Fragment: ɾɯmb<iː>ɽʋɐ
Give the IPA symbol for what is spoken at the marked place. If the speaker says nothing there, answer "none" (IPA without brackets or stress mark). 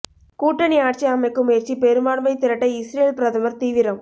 aː